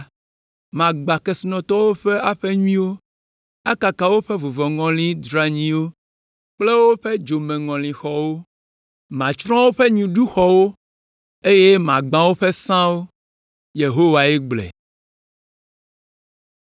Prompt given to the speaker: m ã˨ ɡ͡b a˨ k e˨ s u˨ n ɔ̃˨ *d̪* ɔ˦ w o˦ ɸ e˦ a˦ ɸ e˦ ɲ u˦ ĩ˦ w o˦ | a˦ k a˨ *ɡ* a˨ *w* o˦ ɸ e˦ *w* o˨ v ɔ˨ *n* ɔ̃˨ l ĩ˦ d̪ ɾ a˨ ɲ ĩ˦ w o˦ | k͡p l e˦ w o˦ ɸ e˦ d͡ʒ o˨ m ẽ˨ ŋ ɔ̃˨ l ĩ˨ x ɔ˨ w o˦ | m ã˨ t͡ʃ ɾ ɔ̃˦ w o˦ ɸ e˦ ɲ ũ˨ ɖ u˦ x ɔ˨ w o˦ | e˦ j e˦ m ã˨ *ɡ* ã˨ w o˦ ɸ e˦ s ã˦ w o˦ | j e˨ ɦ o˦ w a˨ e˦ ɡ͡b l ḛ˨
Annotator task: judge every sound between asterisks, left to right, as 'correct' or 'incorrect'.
incorrect: t̪, incorrect: k, correct, incorrect: v, incorrect: ŋ, incorrect: ɡ͡b

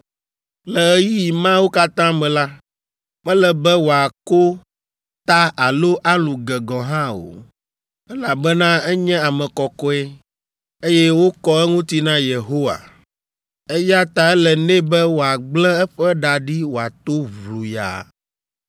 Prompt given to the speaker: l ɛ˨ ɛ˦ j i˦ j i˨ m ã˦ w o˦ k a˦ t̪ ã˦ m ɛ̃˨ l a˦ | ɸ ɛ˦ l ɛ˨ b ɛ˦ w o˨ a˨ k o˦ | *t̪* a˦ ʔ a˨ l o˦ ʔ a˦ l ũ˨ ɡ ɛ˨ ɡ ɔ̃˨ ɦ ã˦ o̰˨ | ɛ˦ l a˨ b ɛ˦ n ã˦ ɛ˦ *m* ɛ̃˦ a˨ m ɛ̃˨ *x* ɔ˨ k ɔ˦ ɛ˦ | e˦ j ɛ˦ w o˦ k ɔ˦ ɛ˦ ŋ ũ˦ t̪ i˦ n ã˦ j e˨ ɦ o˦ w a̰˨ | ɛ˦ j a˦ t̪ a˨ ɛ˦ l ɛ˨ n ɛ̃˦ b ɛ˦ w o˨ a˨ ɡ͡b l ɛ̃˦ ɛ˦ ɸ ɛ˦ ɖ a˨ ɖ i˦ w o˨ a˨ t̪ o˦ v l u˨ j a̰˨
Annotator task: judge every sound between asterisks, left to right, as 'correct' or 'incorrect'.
correct, incorrect: ɲ, incorrect: k

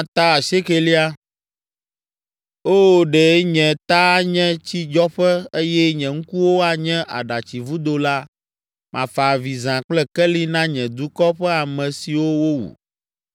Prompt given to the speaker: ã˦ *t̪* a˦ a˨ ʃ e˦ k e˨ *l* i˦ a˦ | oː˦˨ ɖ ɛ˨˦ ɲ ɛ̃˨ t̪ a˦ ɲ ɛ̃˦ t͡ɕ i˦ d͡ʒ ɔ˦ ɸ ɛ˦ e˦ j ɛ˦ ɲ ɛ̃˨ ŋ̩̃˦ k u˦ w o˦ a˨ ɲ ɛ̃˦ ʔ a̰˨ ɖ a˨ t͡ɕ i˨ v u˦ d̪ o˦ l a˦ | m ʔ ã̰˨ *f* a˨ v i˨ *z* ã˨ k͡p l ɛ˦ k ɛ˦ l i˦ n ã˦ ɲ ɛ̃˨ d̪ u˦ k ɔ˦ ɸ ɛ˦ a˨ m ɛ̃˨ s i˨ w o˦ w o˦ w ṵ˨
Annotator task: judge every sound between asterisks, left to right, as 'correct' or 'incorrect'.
correct, correct, correct, correct

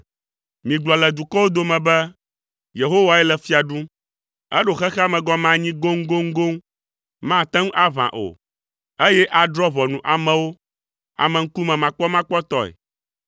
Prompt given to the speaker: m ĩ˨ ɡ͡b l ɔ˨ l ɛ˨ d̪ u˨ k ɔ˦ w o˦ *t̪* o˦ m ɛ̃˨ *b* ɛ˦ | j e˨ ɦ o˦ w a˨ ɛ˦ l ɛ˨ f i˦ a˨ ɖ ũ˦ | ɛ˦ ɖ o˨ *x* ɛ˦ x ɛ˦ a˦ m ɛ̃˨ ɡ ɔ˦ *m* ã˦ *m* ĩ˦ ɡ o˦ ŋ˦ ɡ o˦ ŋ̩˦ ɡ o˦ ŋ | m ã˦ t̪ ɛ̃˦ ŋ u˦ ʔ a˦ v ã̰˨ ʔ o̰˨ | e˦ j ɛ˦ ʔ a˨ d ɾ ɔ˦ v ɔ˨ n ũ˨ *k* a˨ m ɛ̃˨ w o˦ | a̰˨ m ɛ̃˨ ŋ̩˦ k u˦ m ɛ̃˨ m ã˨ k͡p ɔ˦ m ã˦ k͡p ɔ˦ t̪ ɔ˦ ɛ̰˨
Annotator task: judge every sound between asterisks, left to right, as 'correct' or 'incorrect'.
incorrect: d̪, correct, correct, correct, incorrect: ɲ, incorrect: ʔ

